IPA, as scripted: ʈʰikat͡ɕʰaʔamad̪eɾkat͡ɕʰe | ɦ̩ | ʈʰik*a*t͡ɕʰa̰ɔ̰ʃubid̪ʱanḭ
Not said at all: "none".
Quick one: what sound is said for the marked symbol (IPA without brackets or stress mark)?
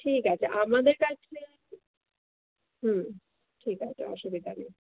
a